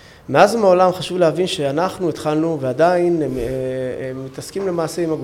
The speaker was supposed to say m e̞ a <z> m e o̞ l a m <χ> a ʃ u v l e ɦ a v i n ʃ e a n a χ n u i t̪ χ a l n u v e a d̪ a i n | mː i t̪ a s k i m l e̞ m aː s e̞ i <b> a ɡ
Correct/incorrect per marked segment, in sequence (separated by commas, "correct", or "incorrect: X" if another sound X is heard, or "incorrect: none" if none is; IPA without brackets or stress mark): correct, correct, incorrect: m